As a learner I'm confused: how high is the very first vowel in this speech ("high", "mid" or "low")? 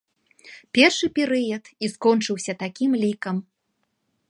mid